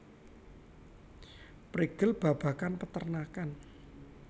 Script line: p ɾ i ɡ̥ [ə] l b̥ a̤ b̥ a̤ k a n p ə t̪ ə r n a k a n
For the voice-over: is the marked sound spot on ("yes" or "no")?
yes